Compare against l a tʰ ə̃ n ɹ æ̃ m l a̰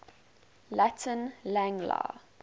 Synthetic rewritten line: l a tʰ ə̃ n l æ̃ ŋ l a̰